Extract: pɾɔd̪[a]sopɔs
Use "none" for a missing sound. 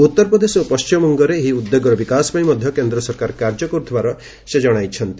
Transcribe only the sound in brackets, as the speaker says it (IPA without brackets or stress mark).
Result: e